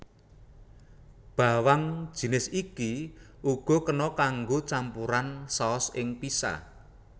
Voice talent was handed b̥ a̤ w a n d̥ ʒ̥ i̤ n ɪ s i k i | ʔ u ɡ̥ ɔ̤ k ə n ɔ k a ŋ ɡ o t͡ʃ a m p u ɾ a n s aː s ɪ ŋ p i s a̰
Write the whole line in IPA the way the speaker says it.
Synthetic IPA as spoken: b̥ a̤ w a ŋ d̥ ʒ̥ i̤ n ɪ s i k i | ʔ u ɡ̥ ɔ̤ k ə n ɔ k a ŋ ɡ o t͡ʃ a m p u ɾ a n s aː s ɪ ŋ p i s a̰